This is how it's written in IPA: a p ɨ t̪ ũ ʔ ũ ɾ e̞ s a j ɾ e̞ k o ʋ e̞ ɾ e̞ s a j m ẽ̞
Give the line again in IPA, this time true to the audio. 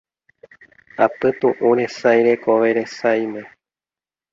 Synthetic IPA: a p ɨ t̪ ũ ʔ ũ ɾ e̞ s a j ɾ e̞ k o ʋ e̞ ɾ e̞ s a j m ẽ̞